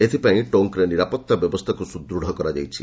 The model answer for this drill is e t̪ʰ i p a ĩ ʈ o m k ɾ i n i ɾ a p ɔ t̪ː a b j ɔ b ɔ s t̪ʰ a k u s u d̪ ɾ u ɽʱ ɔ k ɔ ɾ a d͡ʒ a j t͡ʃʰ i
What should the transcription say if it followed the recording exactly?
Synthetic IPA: e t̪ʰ i p a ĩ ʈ o ŋ k ɾ e n i ɾ a p ɔ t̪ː a b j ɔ b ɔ s t̪ʰ a k u s u d̪ ɾ u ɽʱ ɔ k ɔ ɾ a d͡ʒ a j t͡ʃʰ i